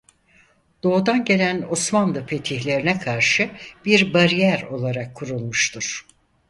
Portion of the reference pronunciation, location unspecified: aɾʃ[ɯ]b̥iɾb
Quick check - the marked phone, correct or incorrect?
correct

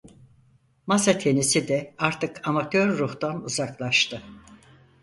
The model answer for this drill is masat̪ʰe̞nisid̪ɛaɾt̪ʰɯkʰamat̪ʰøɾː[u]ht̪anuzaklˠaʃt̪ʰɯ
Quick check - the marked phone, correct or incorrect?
correct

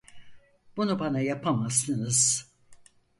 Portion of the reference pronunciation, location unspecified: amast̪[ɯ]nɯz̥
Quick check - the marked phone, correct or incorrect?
correct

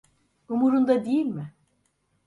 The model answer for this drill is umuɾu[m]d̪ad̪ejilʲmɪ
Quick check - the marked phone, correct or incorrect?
incorrect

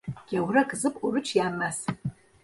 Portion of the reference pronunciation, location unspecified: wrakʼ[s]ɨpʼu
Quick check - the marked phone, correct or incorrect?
incorrect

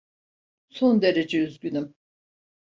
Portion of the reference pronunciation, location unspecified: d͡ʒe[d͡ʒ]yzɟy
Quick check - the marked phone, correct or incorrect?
incorrect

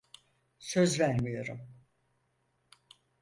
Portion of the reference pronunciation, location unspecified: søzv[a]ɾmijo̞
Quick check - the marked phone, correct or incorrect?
incorrect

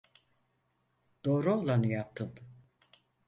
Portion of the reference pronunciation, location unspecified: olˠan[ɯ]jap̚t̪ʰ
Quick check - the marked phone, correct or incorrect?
correct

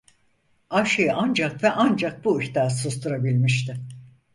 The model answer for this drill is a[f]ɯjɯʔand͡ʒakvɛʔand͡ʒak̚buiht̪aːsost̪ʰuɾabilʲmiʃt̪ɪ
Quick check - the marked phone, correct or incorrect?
incorrect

